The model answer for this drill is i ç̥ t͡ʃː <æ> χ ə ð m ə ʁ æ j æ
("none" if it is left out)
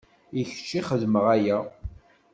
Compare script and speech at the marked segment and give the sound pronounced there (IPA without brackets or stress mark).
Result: i